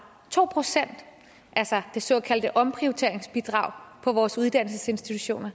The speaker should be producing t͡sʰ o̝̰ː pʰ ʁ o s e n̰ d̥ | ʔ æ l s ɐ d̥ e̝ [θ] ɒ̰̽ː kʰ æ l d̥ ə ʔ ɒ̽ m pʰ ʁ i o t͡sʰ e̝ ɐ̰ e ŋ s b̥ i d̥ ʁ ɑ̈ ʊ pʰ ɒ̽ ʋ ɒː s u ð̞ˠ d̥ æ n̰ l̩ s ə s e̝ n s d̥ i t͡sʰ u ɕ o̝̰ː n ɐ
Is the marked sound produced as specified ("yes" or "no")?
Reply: no